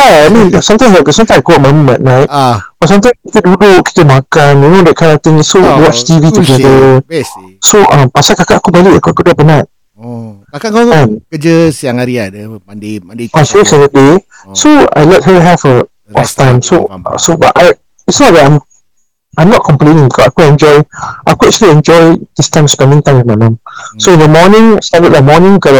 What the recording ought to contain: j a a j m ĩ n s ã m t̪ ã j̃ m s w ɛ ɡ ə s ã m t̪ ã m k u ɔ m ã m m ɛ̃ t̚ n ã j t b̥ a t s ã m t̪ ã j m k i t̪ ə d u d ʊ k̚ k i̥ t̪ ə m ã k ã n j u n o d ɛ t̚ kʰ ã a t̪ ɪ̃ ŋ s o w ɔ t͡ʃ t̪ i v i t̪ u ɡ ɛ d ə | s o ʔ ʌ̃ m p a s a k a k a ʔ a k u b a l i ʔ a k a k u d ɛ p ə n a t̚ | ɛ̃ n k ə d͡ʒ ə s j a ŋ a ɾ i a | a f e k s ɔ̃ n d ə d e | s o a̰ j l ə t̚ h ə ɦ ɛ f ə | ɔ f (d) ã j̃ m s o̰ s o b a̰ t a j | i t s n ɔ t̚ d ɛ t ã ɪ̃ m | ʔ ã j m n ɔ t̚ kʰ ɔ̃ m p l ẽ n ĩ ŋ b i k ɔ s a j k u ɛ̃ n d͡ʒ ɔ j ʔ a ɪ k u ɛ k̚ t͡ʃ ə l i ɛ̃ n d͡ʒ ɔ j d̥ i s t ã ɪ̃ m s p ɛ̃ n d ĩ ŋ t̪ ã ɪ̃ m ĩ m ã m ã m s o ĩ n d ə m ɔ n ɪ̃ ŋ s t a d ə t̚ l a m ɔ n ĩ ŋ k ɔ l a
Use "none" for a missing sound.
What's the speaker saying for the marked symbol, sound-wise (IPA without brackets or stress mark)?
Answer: t